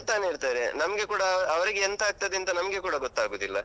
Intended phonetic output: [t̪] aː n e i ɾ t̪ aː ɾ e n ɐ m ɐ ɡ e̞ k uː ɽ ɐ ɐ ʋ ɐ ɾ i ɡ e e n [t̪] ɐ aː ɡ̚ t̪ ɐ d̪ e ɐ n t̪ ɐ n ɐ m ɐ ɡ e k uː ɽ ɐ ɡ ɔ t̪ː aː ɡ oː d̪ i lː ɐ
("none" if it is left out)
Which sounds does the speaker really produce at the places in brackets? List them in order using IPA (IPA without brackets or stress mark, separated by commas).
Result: t̪, t̪